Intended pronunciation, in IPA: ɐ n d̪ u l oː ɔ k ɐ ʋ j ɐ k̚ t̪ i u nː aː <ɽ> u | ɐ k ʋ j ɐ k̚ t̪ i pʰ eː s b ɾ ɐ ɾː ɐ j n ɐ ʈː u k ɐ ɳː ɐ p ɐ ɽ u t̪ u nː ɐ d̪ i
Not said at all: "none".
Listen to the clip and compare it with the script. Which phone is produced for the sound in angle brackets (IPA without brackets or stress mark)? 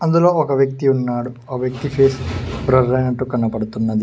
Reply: ɽ